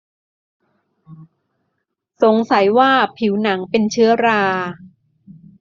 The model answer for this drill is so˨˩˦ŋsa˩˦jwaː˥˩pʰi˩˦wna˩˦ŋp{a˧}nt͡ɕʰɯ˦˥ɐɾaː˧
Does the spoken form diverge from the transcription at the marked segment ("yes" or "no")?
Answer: yes